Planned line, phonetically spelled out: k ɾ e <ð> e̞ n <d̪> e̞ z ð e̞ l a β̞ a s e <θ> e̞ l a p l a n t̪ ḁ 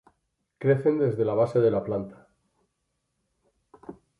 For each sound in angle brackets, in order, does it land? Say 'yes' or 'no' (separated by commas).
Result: no, yes, no